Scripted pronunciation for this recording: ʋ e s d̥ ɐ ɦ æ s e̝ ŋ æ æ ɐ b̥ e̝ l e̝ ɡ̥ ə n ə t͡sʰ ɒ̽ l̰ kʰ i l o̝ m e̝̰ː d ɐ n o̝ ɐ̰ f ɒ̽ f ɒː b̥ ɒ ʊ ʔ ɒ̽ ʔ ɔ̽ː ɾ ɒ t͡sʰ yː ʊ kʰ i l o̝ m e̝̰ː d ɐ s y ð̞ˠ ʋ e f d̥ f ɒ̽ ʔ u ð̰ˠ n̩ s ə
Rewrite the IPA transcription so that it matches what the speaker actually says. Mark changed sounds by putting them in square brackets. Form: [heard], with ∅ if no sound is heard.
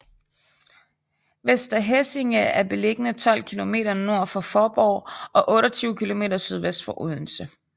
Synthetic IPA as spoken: ʋ e s d̥ ɐ ɦ [e] s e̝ ŋ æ æ ɐ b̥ e̝ l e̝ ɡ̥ ə n ə t͡sʰ ɒ̽ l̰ kʰ i l o̝ m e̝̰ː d ɐ n o̝ ɐ̰ f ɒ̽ f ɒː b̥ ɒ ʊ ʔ ɒ̽ ʔ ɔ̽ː ɾ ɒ t͡sʰ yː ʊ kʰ i l o̝ m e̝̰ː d ɐ s y ð̞ˠ ʋ e [s] d̥ f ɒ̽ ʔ u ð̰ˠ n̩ s ə